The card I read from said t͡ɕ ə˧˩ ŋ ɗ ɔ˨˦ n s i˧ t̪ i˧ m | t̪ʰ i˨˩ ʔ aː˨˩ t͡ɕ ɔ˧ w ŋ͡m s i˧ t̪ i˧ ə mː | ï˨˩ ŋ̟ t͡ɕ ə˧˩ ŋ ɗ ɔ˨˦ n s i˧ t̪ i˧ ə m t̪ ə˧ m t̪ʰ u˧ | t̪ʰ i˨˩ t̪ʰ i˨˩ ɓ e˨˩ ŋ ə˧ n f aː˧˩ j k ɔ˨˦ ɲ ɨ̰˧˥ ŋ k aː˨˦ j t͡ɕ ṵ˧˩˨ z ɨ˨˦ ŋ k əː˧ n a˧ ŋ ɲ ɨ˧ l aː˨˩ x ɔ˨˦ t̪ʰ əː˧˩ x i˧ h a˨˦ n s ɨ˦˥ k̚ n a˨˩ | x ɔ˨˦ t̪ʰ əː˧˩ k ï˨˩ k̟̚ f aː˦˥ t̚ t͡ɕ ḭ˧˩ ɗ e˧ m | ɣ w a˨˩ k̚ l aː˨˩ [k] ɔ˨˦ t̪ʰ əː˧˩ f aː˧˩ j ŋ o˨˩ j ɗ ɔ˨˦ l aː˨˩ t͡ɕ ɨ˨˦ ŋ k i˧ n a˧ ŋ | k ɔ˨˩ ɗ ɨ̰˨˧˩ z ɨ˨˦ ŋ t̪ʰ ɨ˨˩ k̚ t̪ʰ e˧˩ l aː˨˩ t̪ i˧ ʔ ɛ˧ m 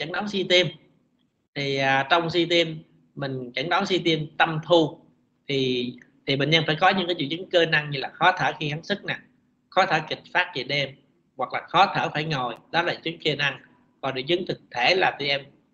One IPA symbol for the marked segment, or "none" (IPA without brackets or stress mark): x